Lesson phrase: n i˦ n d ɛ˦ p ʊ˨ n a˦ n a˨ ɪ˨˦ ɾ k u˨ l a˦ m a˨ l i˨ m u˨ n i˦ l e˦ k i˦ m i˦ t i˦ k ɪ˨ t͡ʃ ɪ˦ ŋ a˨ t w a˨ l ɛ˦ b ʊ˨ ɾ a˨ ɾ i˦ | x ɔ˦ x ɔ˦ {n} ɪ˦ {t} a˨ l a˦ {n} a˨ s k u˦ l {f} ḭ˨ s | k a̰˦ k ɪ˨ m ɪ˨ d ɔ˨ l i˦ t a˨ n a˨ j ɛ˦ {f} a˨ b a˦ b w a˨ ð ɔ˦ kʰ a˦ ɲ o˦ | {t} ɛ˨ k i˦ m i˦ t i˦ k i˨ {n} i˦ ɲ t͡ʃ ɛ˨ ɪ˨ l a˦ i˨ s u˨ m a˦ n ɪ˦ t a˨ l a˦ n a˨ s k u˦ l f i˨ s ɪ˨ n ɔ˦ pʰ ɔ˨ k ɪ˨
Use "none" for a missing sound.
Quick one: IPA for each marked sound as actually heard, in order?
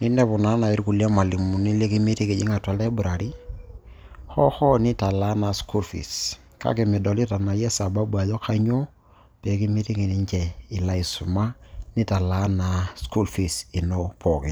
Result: n, t, n, f, s, p, n

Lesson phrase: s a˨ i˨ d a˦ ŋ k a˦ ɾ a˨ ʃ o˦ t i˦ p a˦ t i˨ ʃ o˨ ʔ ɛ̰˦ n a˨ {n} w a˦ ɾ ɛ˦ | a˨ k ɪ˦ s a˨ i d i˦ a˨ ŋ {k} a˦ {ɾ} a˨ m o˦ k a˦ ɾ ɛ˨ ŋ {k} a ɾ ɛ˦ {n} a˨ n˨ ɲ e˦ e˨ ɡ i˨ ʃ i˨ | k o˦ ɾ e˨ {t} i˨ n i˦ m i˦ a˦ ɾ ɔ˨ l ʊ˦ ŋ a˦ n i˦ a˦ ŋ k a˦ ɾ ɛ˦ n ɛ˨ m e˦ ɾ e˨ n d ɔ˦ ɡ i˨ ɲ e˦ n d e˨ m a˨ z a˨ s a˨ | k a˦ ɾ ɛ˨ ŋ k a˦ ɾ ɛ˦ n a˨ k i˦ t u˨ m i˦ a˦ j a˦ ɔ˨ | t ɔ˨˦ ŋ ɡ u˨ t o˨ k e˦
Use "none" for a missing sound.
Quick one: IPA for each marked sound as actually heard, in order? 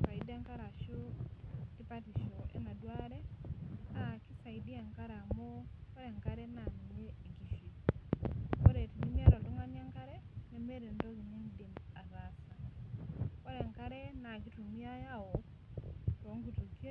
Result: d, k, ɾ, k, n, t

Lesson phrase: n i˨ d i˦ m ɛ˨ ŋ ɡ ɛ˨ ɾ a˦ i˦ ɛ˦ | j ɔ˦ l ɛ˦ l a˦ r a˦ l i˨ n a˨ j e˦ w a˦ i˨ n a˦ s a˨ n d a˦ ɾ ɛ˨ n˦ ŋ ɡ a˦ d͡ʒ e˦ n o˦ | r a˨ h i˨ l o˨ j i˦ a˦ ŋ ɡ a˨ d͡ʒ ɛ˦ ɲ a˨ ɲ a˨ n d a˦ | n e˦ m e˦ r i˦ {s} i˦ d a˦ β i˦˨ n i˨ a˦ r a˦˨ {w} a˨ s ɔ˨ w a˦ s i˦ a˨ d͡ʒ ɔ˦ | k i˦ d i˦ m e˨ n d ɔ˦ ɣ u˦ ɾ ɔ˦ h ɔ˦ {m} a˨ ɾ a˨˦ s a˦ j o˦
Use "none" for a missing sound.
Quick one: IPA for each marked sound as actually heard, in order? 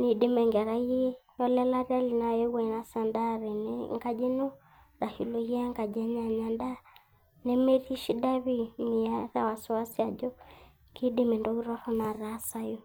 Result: ʃ, w, n

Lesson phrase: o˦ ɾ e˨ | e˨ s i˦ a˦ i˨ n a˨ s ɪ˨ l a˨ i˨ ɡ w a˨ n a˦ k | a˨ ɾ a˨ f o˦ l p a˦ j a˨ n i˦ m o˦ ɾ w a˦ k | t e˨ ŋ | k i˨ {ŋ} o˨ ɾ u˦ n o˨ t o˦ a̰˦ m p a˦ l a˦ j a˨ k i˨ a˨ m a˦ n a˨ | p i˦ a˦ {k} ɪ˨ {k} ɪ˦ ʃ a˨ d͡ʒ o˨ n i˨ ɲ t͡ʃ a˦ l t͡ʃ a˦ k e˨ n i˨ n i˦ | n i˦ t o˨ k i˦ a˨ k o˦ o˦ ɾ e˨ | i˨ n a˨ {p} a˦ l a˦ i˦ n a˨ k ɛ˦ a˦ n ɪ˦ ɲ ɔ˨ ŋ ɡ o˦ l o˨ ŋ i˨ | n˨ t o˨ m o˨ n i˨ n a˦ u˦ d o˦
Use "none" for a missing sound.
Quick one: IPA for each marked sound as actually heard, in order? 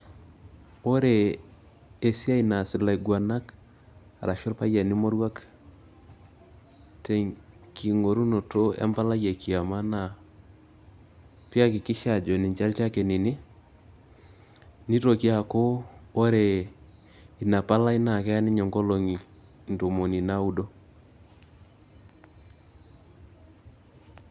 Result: ŋ, k, k, p

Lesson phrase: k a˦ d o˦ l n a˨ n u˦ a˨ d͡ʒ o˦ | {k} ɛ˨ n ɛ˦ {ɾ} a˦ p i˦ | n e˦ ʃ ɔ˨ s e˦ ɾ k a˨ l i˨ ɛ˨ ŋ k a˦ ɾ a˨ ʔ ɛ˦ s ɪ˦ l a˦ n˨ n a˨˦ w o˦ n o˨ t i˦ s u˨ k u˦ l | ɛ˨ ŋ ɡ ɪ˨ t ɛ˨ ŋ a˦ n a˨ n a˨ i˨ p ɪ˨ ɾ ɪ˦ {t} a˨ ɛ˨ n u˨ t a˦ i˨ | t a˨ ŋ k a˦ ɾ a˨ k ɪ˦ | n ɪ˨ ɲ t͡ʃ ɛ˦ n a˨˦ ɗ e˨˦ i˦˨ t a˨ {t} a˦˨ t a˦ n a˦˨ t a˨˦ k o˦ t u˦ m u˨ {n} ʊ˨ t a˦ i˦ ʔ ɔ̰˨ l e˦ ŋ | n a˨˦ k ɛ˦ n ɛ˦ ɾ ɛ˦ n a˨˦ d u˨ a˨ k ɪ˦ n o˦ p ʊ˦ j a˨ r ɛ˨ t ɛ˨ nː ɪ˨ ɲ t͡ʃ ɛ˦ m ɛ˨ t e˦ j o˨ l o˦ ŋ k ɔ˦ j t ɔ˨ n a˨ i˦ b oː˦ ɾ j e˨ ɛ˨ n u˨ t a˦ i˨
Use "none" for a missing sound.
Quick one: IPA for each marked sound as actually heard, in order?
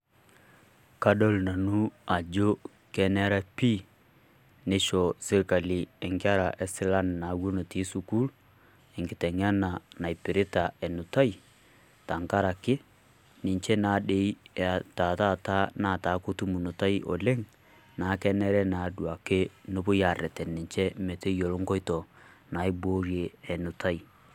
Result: k, ɾ, t, t, n

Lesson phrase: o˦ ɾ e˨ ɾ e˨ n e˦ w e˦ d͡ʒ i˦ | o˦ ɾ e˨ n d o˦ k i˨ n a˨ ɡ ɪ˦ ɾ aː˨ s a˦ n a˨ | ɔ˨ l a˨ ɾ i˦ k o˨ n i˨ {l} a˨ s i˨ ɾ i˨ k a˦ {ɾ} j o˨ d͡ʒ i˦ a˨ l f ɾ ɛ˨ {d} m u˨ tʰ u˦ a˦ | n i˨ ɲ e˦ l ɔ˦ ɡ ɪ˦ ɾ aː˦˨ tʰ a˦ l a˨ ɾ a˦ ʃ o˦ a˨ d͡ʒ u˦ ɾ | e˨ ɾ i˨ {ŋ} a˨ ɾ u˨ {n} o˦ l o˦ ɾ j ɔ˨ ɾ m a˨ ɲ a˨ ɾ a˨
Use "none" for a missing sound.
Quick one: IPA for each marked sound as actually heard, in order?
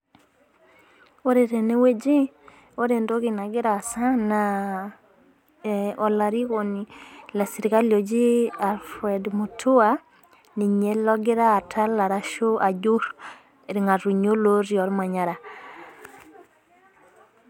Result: l, l, d, ŋ, ɲ

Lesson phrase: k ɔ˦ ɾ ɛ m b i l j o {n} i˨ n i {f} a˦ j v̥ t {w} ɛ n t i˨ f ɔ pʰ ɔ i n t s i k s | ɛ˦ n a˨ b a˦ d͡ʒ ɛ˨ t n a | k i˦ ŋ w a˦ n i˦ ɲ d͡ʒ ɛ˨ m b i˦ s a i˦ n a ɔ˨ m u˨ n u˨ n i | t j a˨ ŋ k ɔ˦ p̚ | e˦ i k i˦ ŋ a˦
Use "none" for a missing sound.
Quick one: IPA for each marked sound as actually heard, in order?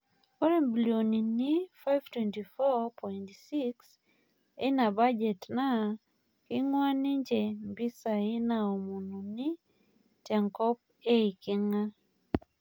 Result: n, f, w

